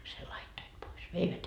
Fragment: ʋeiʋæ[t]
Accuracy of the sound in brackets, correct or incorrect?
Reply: correct